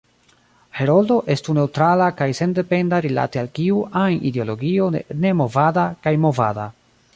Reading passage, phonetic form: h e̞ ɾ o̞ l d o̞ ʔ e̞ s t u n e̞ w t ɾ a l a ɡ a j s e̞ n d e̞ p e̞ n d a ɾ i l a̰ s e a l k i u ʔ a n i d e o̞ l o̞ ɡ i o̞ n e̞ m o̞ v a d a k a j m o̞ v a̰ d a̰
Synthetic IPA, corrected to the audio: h e̞ ɾ o̞ l d o̞ ʔ e̞ s t u n e̞ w t ɾ a l a k a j s e̞ n d e̞ p e̞ n d a ɾ i l a̰ t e a l k i u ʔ a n i d e o̞ l o̞ ɡ i o̞ n e̞ m o̞ v a d a k a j m o̞ v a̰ d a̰